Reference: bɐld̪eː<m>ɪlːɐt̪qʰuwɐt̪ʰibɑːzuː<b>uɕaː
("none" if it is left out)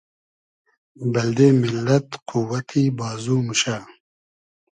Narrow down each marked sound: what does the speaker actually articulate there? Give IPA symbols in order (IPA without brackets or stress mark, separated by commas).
m, m